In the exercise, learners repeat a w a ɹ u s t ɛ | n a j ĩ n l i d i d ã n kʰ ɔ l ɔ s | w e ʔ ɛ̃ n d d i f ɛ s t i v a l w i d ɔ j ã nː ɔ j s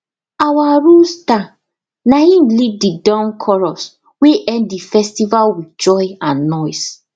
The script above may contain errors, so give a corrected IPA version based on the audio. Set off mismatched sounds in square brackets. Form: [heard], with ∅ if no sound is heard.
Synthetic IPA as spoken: a w a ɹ u s t [a] | n a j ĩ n l i d i d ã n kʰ ɔ [ɹ] ɔ s | w e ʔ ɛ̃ n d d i f ɛ s t i v a l w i [d͡ʒ] ɔ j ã nː ɔ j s